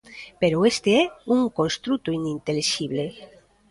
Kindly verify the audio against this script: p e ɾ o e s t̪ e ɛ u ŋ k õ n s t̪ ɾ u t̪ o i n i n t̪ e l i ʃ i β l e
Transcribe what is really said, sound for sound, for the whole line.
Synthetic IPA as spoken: p e ɾ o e s t̪ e ɛ u ŋ k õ n s t̪ ɾ u t̪ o i n i n t̪ e l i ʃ i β l e